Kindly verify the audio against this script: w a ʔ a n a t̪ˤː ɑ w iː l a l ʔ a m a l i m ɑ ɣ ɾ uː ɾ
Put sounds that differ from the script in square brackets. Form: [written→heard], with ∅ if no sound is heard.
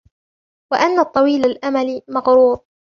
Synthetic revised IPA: w a ʔ a [n→nː] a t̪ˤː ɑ w iː l a l ʔ a m a l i m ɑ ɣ ɾ uː ɾ

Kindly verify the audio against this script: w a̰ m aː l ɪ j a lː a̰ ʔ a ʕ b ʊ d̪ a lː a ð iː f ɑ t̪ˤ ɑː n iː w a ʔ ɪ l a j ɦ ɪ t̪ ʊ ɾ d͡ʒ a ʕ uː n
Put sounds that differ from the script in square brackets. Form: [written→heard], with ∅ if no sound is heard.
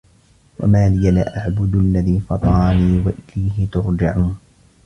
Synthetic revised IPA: w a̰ m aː l ɪ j a [lː→l] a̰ ʔ a ʕ b ʊ d̪ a lː a ð iː f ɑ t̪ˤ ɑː n iː w a ʔ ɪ l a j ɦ ɪ t̪ ʊ ɾ d͡ʒ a ʕ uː n

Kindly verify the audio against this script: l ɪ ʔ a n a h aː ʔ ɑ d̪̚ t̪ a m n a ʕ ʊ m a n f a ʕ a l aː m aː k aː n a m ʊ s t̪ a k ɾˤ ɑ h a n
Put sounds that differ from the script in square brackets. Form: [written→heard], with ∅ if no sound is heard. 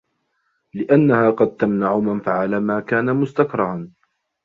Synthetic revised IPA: l ɪ ʔ a [n→nː] a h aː [ʔ→q] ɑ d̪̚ t̪ a m n a ʕ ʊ m a n f a ʕ a l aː m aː k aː n a m ʊ s t̪ a k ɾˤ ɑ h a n

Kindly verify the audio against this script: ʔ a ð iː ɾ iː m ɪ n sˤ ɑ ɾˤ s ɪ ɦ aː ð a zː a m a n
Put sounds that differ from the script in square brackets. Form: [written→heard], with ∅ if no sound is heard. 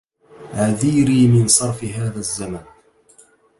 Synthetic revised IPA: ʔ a ð iː ɾ iː m ɪ n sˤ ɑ ɾˤ [s→f] ɪ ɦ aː ð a zː a m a n

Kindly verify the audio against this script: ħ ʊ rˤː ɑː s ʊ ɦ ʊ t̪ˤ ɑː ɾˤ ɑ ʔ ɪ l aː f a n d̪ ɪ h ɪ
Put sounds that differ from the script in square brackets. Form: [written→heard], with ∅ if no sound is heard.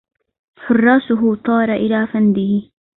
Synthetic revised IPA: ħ ʊ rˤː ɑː s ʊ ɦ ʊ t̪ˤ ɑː ɾˤ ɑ ʔ ɪ l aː f a n d̪ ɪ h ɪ

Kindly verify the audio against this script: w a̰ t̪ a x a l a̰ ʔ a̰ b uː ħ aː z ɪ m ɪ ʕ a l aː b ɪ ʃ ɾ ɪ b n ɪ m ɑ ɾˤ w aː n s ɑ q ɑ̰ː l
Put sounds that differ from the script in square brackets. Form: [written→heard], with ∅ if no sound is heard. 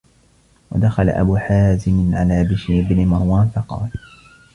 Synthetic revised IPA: w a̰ [t̪→d̪] a x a l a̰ ʔ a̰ b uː ħ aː z ɪ m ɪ ʕ a l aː b ɪ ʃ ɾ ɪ b n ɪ m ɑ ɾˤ w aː n [s→f] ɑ q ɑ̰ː l

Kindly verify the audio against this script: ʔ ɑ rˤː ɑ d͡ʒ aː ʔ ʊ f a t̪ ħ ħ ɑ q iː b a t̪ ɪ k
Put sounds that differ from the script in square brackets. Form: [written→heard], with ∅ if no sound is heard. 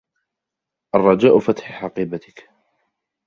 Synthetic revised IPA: ʔ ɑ rˤː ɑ d͡ʒ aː ʔ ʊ f a t̪ ħ ħ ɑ q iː b a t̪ ɪ k

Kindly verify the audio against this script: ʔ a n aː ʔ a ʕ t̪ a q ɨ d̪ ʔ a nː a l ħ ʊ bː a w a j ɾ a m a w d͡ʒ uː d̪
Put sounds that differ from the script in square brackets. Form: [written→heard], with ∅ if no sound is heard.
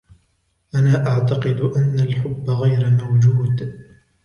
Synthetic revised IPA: ʔ a n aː ʔ a ʕ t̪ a q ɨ d̪ ʔ a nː a l ħ ʊ bː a [w→ɣ] a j ɾ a m a w d͡ʒ uː d̪

